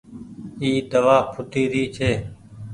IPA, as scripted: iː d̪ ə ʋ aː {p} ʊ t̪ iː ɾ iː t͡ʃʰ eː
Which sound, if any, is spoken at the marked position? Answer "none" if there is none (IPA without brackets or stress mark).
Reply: pʰ